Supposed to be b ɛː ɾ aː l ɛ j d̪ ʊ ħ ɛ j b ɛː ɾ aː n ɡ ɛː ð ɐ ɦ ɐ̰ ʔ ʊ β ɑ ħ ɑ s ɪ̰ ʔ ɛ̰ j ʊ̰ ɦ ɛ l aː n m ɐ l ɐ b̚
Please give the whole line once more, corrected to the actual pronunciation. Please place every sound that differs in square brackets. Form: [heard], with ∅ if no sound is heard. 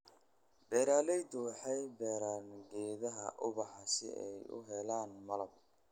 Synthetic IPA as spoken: b ɛː ɾ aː l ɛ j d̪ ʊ ħ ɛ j b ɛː ɾ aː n ɡ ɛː ð ɐ ɦ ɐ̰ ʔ ʊ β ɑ ħ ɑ s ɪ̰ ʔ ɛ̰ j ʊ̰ ɦ ɛ l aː n m ɐ l ɐ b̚

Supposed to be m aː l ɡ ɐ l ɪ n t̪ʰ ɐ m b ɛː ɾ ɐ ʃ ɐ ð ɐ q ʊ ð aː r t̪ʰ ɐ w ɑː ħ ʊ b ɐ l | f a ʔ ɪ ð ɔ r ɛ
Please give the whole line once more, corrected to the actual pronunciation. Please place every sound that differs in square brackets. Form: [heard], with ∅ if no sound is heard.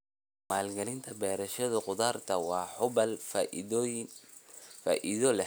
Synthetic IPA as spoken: m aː l ɡ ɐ l ɪ n t̪ʰ ɐ [∅] b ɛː ɾ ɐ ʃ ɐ ð ɐ q ʊ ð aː r t̪ʰ ɐ w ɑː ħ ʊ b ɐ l | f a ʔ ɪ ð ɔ [l] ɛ

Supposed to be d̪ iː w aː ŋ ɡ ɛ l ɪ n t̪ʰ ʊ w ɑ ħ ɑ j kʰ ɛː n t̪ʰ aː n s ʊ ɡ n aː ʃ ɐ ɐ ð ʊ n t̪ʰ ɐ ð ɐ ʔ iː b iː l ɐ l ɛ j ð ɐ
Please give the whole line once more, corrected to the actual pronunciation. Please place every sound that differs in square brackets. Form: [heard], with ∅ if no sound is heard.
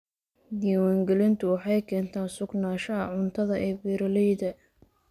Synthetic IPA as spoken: d̪ iː w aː ŋ ɡ ɛ l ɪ n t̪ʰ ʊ w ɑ ħ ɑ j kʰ ɛː n t̪ʰ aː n s ʊ ɡ n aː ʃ ɐ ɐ [ʕ] ʊ n t̪ʰ ɐ ð ɐ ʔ [ɛː] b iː [ɾ] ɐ l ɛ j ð ɐ

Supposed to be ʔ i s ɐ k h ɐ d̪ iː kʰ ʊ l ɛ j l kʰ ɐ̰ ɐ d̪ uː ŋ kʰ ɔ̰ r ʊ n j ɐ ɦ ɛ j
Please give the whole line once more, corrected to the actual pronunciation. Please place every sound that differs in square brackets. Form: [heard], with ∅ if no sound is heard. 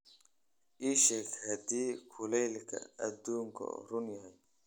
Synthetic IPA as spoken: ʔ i [ʃ] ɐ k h ɐ d̪ iː kʰ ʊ l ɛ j l kʰ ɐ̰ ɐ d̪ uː ŋ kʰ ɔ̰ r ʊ n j ɐ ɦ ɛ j

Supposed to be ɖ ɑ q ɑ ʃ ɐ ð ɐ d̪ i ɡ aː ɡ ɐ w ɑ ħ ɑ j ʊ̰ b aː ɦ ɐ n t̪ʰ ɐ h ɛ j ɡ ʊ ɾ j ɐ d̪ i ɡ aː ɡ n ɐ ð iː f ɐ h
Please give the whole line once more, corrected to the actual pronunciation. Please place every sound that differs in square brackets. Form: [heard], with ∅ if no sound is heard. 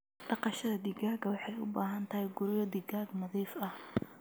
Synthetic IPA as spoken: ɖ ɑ q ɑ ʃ ɐ ð ɐ d̪ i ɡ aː ɡ ɐ w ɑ ħ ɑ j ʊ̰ b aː ɦ ɐ n t̪ʰ ɐ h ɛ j ɡ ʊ ɾ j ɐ d̪ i ɡ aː ɡ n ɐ ð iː f ɐ h

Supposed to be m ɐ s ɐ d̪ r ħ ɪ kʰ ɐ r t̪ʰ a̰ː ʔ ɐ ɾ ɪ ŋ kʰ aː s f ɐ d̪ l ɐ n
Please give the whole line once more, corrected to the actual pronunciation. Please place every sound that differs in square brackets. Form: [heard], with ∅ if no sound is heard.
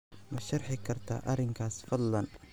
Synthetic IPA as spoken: m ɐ [ʃ] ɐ [∅] r ħ ɪ kʰ ɐ r t̪ʰ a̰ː ʔ ɐ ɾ ɪ ŋ kʰ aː s f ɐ d̪ l ɐ n

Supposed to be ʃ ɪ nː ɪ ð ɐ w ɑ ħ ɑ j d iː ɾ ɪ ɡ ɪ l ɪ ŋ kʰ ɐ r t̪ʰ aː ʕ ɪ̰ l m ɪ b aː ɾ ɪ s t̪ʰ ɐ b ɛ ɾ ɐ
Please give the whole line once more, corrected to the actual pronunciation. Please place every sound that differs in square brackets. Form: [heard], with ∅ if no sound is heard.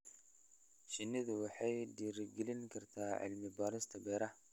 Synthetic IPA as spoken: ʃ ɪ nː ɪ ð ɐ w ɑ ħ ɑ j d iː ɾ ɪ ɡ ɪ l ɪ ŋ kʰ ɐ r t̪ʰ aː ʕ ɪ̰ l m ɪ b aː ɾ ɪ s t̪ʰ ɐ b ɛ ɾ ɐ

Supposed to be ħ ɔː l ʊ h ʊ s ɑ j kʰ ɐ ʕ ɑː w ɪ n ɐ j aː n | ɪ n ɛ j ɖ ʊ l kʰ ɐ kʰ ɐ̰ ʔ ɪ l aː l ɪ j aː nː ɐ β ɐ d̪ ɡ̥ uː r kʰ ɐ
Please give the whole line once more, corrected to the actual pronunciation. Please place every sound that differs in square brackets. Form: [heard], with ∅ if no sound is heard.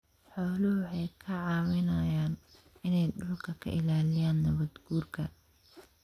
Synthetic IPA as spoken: ħ ɔː l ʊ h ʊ [ħ] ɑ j kʰ ɐ ʕ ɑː w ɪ n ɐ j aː n | ɪ n ɛ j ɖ ʊ l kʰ ɐ kʰ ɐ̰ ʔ ɪ l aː l ɪ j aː nː ɐ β ɐ d̪ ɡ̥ uː r kʰ ɐ

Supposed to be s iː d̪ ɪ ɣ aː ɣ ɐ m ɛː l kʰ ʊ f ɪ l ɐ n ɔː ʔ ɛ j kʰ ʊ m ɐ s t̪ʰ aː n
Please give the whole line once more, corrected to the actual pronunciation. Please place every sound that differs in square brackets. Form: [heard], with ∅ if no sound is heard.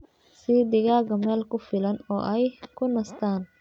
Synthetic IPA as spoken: s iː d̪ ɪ ɣ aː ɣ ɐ m ɛː l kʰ ʊ f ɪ l ɐ n ɔː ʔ ɛ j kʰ ʊ [n] ɐ s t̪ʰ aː n

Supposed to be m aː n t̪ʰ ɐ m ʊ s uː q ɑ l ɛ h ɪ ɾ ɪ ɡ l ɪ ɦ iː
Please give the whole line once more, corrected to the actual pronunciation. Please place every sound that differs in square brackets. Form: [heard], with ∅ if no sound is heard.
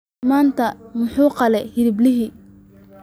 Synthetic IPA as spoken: m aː n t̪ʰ ɐ m ʊ [ħ] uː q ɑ l ɛ h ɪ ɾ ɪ [b] l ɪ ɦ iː

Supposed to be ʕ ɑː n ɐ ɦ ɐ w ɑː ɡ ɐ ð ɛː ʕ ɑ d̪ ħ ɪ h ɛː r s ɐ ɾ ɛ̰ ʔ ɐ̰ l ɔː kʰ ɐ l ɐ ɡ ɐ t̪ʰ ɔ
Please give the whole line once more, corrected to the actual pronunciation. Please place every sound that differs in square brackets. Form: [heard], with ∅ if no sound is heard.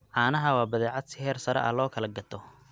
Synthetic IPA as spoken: ʕ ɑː n ɐ ɦ ɐ w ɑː [b] ɐ ð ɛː ʕ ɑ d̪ [s] ɪ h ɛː r s ɐ ɾ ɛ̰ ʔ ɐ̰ l ɔː kʰ ɐ l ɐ ɡ ɐ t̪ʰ ɔ

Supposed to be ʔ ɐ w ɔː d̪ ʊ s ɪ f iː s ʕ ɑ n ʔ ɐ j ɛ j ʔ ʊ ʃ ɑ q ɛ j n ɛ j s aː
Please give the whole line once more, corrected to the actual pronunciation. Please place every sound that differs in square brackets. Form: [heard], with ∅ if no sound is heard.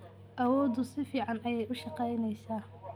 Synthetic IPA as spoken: ʔ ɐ w ɔː d̪ ʊ s ɪ f iː [∅] ʕ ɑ n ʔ ɐ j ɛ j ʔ ʊ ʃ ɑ q ɛ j n ɛ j s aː

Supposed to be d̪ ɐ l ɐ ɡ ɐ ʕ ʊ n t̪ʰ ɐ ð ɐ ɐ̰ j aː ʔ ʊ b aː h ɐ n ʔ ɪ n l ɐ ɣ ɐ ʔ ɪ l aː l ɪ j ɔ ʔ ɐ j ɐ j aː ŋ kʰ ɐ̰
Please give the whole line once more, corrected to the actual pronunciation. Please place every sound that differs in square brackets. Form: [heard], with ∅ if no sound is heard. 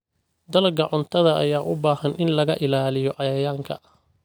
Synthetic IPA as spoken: d̪ ɐ l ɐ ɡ ɐ ʕ ʊ n t̪ʰ ɐ ð ɐ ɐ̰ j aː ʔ ʊ b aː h ɐ n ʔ ɪ n l ɐ ɣ ɐ ʔ ɪ l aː l ɪ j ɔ ʔ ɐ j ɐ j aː ŋ kʰ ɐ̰

